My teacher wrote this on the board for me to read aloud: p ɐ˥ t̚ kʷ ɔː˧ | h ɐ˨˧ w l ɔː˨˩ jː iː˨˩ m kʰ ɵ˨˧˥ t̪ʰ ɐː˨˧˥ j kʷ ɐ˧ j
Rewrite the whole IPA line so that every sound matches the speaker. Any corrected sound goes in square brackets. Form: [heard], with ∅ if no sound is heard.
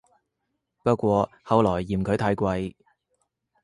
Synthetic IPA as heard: p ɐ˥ t̚ kʷ ɔː˧ | h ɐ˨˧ w l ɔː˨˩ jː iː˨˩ m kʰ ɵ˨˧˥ t̪ʰ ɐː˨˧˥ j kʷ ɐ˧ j